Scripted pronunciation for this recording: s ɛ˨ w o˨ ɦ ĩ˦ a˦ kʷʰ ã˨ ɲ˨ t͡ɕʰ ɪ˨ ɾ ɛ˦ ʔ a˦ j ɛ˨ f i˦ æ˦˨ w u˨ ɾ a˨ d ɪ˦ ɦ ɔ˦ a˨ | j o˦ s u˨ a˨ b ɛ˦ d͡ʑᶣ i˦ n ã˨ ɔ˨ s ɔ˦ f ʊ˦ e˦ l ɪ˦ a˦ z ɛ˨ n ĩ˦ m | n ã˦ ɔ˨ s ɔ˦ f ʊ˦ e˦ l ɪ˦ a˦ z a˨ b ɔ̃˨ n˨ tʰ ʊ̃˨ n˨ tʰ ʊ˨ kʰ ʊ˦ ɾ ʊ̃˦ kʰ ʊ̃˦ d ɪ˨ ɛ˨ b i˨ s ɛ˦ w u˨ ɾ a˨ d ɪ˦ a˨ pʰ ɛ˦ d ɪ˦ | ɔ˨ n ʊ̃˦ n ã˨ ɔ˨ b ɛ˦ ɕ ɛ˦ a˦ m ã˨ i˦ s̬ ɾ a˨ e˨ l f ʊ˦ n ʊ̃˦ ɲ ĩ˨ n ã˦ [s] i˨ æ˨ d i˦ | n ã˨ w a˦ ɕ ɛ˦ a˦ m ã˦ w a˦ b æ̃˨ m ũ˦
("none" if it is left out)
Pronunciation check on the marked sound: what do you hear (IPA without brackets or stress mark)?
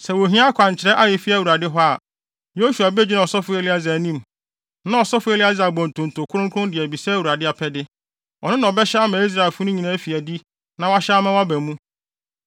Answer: f